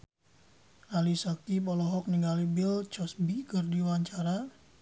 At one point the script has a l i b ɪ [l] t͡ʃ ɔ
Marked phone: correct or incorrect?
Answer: correct